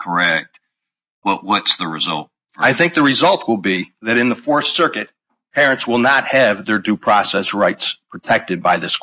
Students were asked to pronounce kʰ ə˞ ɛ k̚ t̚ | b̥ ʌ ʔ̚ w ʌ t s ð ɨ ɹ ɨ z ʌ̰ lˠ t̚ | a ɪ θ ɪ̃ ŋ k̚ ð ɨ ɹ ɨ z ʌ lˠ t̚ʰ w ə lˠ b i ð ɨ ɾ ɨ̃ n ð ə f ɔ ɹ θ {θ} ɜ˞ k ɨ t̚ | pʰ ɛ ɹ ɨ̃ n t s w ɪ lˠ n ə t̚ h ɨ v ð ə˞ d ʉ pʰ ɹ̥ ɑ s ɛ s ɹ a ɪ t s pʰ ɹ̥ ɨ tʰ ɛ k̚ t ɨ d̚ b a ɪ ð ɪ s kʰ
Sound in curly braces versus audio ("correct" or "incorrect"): incorrect